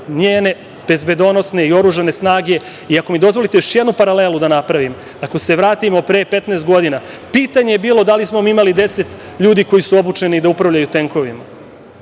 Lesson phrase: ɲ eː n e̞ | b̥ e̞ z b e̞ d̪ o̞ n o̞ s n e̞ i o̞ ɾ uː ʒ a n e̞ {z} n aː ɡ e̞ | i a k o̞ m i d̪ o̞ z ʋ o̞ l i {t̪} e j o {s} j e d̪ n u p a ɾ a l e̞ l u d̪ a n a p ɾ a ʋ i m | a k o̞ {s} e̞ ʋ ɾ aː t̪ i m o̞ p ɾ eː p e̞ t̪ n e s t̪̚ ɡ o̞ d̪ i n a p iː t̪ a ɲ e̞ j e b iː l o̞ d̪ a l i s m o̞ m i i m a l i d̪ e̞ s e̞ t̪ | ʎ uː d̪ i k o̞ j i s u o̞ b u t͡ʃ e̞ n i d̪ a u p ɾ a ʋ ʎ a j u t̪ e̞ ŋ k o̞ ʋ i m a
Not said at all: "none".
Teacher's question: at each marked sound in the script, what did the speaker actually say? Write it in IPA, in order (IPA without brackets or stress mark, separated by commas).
s, t̪, ʃ, s